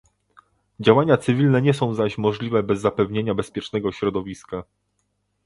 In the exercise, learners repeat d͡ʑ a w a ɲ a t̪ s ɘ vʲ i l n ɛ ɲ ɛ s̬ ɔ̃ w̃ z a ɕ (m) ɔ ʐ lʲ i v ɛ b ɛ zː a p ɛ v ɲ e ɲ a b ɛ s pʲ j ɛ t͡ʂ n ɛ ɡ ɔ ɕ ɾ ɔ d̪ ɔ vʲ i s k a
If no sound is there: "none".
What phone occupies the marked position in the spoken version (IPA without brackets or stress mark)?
m